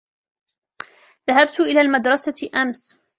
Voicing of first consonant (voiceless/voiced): voiced